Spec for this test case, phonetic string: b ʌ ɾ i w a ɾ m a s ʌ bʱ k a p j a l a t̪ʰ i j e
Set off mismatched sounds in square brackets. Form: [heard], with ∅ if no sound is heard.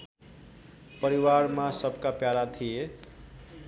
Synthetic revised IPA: [p] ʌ ɾ i w a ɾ m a s ʌ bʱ k a p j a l a t̪ʰ i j e